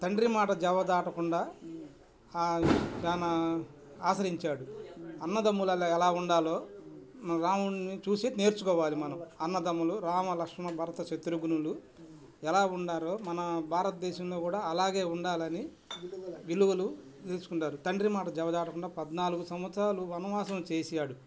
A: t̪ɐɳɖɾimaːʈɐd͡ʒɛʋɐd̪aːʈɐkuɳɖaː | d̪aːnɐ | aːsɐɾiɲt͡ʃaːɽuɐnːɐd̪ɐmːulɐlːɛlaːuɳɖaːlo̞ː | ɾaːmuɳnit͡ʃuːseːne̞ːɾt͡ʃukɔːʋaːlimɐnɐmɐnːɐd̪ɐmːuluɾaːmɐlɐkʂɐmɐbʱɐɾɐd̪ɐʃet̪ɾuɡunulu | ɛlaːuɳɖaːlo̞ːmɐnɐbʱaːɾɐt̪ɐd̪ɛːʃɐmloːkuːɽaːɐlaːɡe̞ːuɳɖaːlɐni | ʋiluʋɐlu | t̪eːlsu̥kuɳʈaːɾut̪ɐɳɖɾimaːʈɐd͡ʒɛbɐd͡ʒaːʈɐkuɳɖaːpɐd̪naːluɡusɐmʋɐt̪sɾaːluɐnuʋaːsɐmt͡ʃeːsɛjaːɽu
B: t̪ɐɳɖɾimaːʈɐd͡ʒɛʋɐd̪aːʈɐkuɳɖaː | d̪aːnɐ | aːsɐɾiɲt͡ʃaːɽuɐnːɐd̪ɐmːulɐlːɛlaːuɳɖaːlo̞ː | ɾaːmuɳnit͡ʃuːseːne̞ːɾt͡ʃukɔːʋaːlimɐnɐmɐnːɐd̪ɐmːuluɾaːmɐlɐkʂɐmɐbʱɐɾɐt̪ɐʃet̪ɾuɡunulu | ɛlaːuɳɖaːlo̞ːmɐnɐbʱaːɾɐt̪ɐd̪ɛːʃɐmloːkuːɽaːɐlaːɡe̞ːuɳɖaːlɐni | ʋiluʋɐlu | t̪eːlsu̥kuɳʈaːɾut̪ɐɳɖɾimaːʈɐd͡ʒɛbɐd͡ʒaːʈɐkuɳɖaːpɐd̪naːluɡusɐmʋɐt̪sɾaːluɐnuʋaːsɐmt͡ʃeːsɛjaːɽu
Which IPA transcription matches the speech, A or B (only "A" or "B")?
B